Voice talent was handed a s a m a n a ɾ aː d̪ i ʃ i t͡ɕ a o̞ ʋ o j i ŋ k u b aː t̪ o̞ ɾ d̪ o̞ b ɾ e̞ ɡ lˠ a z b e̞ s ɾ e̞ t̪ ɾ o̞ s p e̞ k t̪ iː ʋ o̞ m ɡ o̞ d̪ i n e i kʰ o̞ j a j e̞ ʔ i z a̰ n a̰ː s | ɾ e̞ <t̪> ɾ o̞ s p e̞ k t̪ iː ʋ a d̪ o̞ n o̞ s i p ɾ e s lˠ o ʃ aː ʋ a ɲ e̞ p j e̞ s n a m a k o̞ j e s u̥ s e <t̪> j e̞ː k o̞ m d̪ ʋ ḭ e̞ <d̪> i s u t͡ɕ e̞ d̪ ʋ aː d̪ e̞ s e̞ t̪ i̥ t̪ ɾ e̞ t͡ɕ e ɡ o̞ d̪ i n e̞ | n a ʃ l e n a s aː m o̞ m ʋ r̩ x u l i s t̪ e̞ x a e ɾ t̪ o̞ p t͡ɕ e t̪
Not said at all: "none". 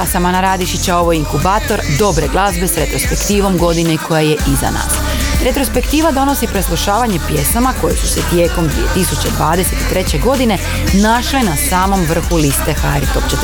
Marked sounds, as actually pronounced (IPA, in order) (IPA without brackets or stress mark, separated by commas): t̪, t̪, t̪